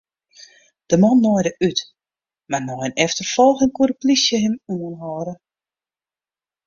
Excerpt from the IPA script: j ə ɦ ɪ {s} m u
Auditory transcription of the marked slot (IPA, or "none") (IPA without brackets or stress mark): none